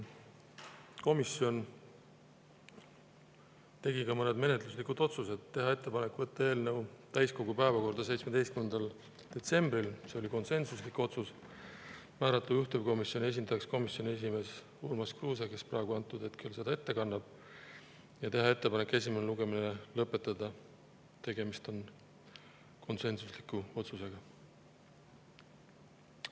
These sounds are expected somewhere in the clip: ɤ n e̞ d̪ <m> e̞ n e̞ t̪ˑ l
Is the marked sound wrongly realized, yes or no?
no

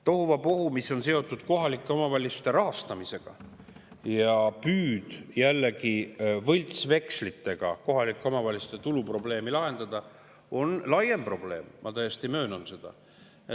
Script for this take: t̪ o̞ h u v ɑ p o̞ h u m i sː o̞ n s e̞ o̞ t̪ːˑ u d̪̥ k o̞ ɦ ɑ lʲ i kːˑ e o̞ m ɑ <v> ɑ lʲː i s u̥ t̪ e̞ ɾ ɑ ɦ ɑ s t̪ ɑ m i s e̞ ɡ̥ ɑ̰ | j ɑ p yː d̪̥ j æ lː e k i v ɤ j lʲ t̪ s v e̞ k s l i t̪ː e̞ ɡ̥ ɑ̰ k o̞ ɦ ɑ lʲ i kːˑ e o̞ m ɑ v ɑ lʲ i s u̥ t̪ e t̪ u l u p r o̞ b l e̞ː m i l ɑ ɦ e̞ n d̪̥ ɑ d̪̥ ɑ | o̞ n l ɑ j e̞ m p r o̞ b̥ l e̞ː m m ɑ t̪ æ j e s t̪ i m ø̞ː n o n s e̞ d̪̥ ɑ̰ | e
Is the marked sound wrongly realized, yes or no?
no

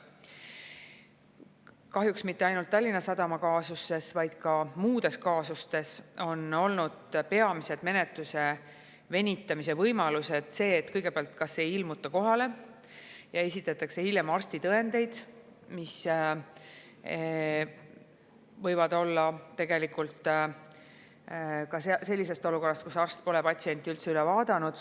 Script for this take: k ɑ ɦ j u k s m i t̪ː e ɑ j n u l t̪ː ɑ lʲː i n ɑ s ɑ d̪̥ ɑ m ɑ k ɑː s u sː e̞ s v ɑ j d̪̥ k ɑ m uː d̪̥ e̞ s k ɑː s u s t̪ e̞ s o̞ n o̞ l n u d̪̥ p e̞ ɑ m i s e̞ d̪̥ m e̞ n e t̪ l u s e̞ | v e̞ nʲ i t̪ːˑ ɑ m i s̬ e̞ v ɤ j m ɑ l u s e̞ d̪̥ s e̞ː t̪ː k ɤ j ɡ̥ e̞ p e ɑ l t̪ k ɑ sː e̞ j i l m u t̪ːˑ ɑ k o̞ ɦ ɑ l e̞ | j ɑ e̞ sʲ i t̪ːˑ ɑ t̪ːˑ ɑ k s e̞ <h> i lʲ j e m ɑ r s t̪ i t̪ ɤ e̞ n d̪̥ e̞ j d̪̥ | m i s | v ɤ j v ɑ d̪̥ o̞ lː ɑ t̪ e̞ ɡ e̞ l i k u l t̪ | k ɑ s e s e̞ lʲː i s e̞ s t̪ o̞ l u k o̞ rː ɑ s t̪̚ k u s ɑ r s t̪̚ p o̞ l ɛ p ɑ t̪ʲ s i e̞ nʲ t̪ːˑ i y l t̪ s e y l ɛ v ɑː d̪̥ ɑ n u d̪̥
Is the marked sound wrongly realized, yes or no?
no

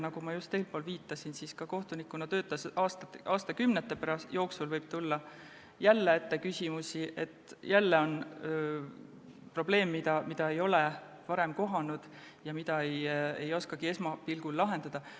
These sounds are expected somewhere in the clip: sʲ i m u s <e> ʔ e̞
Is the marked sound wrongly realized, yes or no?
yes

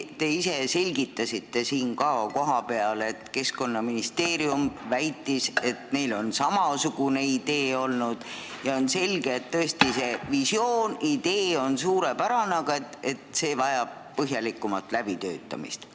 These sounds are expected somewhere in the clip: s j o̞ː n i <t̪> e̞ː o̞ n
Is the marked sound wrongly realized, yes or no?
yes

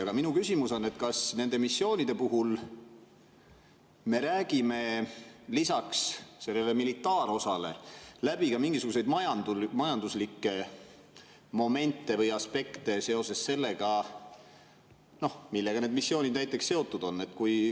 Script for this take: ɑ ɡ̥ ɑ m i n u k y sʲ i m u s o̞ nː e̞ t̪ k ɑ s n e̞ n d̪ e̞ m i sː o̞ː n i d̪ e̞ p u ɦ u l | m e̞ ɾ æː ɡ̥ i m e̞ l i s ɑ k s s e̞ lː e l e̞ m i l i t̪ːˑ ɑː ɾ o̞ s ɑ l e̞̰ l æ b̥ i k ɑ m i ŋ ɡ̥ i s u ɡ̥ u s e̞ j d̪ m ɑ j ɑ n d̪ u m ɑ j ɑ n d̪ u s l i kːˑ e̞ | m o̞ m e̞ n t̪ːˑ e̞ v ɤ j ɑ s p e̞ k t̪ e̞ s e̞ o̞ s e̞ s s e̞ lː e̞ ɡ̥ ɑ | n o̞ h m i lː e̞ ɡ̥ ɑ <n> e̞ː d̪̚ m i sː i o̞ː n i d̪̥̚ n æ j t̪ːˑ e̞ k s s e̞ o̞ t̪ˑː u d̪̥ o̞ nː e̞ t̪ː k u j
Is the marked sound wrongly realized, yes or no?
no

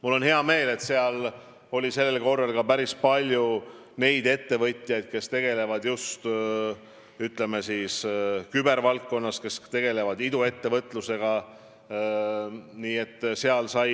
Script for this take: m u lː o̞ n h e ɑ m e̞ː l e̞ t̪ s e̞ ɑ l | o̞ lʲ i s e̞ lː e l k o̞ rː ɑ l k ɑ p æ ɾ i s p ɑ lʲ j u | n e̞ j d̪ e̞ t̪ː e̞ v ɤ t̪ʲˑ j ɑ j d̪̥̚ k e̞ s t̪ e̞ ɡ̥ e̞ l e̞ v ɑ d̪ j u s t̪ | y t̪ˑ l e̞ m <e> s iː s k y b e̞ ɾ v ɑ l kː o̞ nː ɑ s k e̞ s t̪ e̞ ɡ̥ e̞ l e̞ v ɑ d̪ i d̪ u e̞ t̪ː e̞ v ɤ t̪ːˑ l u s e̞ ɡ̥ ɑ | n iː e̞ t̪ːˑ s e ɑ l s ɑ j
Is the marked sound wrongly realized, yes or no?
no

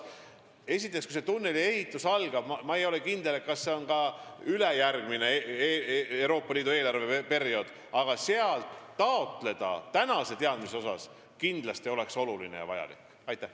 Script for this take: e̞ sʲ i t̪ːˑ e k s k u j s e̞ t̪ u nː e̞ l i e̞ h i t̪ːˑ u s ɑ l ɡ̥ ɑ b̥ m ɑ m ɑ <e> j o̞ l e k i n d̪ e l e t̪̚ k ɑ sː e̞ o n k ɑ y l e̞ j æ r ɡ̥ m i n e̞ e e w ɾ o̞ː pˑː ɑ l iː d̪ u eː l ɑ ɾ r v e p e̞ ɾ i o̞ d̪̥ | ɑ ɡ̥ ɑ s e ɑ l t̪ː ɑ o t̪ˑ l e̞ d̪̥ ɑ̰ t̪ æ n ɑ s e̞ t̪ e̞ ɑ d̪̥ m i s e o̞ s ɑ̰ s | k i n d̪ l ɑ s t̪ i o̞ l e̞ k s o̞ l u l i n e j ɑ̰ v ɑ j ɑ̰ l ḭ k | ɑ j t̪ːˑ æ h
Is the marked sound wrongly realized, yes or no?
no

